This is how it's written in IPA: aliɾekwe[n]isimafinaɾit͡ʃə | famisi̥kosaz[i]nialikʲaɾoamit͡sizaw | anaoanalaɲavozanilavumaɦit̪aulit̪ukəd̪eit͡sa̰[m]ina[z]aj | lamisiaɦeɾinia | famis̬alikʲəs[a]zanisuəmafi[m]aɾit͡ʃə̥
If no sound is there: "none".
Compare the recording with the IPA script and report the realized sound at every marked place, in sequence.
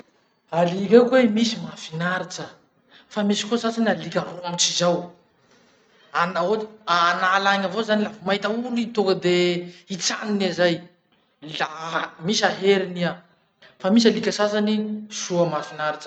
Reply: m, a, n, z, a, n

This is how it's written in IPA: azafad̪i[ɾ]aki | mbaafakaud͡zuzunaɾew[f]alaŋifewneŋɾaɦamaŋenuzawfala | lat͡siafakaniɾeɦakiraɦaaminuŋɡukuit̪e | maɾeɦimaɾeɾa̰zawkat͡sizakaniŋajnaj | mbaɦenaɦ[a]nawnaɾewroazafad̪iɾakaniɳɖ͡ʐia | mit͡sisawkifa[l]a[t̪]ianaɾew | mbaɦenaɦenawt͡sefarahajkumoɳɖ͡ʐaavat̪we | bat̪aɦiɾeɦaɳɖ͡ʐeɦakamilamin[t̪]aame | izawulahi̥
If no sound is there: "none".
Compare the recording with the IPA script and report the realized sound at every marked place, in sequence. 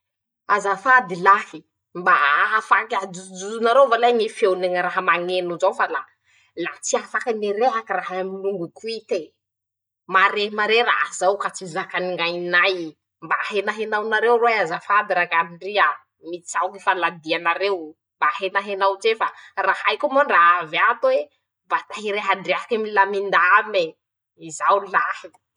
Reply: l, v, e, l, d̪, d̪

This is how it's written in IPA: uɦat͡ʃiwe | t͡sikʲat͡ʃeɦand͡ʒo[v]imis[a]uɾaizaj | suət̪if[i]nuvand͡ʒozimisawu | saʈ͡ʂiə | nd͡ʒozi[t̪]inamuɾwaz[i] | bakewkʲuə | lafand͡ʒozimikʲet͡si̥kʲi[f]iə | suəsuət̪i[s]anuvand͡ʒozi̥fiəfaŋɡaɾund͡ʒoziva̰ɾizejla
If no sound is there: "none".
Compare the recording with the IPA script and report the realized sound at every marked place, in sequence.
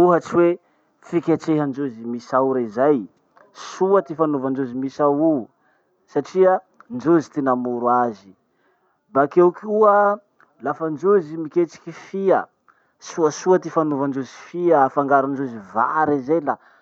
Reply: z, a, a, t̪, i, f, f

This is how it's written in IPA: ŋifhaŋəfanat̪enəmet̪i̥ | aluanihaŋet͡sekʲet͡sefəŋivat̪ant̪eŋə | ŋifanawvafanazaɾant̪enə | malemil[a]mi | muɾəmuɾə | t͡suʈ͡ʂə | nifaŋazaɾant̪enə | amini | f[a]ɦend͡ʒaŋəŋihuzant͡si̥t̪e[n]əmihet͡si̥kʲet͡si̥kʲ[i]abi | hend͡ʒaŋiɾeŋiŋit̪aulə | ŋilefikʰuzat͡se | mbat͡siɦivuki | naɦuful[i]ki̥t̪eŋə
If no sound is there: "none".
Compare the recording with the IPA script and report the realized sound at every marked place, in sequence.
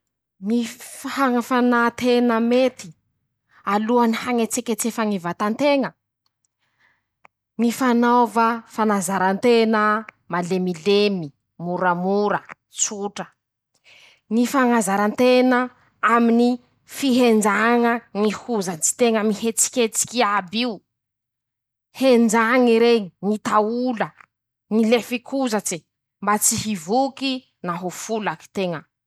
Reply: e, i, ŋ, i, a

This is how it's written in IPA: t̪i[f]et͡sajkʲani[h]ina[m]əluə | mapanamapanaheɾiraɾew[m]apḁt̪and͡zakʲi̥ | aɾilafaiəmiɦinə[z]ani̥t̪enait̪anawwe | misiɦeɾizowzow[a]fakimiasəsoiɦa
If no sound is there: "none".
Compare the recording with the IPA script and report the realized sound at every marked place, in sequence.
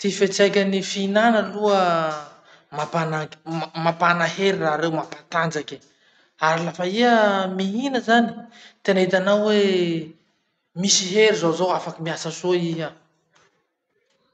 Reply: f, f, n, m, z, a

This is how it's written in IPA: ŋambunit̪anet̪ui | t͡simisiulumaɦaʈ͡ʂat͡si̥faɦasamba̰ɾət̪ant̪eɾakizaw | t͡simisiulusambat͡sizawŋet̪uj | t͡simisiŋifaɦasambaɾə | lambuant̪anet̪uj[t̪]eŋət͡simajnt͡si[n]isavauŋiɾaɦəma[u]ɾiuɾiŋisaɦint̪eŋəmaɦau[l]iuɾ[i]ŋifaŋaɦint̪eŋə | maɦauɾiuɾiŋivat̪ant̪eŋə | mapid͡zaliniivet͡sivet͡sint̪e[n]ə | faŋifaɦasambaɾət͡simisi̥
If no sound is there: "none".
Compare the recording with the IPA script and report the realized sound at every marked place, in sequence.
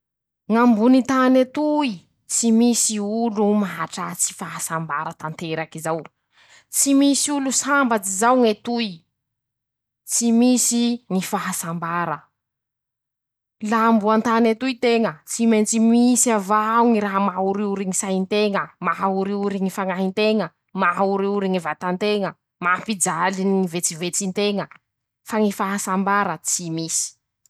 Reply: t̪, m, u, ɾ, i, ŋ

